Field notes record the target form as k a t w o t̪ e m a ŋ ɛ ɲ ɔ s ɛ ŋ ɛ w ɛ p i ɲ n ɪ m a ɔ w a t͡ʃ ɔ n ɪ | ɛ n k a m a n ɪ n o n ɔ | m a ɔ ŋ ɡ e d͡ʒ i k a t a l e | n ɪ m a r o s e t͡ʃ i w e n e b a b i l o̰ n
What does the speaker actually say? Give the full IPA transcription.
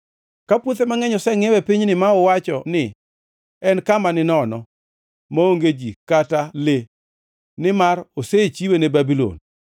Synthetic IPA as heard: k a p w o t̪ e m a ŋ ɛ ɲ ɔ s ɛ ŋ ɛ w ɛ p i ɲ n ɪ m a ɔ w a t͡ʃ ɔ n ɪ | ɛ n k a m a n ɪ n ɔ n ɔ | m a o ŋ ɡ e d͡ʒ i k a t a l e | n ɪ m a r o s e t͡ʃ i w e n e b a b i l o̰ n